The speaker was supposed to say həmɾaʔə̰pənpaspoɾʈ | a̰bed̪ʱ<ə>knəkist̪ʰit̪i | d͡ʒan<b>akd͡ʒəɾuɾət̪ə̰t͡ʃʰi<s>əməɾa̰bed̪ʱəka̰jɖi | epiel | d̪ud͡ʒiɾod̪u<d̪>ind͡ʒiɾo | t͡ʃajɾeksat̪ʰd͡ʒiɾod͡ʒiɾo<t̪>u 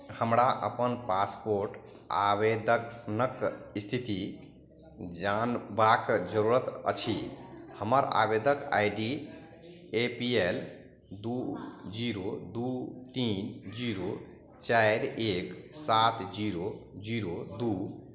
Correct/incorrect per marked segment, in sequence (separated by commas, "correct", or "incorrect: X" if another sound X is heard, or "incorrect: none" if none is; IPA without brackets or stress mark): correct, correct, incorrect: h, incorrect: t̪, incorrect: d̪